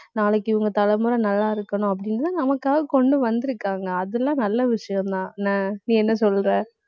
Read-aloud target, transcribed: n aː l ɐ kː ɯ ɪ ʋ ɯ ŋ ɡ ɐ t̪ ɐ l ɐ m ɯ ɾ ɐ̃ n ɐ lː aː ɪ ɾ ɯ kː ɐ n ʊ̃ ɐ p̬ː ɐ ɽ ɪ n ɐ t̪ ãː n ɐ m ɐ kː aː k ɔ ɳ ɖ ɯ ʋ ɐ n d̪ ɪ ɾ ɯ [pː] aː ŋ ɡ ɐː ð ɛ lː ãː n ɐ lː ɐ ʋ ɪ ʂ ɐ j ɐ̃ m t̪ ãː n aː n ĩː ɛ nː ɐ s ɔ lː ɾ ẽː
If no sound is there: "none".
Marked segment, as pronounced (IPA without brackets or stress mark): kː